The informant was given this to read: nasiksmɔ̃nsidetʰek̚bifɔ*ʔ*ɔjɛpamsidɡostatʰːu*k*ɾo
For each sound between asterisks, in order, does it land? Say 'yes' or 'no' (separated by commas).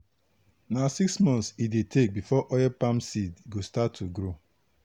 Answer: yes, no